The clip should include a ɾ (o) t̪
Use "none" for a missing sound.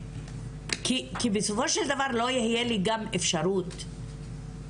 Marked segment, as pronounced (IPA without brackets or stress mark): u